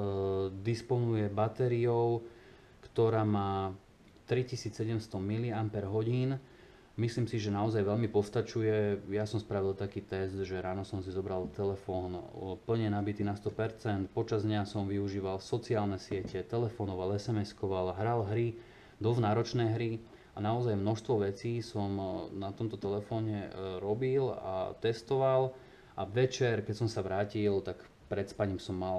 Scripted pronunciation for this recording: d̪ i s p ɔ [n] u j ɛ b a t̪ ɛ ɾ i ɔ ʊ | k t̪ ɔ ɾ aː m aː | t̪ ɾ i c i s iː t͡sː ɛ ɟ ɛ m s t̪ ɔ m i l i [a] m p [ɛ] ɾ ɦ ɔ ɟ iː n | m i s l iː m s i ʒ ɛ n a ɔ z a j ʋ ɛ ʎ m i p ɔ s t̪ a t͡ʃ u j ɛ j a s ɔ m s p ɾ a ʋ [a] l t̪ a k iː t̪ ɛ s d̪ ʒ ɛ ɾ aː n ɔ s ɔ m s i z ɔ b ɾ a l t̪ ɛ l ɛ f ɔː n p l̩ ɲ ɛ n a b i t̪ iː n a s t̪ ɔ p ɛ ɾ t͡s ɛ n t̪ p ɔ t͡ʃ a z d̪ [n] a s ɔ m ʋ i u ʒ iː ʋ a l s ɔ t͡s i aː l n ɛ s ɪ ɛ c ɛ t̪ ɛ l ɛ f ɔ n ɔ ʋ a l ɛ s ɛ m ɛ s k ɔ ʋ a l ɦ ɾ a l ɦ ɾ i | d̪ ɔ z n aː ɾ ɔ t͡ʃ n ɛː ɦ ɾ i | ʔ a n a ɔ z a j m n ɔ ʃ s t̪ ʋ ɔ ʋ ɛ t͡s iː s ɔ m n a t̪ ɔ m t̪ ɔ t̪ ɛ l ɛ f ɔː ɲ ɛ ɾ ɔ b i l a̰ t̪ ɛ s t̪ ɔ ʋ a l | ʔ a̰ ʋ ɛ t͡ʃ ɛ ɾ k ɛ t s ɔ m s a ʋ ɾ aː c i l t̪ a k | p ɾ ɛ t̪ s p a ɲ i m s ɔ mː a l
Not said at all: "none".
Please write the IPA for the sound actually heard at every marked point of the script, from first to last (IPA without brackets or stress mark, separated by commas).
n, a, ɛ, i, ɲ